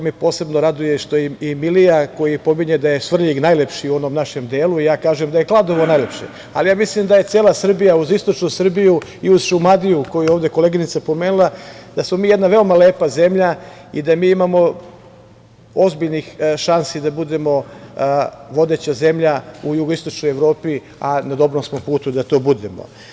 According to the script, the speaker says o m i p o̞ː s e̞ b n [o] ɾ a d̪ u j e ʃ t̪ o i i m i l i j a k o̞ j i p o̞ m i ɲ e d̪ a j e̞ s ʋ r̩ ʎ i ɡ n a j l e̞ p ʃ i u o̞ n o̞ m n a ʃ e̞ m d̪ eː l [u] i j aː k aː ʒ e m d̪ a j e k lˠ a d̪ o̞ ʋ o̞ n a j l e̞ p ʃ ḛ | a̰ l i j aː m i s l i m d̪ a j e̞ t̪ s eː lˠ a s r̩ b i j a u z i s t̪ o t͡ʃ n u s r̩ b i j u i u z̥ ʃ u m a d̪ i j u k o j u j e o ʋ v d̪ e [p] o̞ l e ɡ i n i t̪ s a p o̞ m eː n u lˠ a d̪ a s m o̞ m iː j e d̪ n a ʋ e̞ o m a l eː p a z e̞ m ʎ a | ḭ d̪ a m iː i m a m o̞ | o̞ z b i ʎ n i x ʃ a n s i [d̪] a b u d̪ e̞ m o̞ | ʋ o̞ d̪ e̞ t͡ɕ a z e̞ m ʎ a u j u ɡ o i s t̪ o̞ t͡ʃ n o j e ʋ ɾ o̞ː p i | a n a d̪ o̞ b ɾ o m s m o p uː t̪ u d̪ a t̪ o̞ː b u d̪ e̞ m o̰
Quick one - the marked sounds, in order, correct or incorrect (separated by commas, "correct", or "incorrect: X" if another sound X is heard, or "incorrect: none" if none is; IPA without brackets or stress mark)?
correct, correct, incorrect: k, correct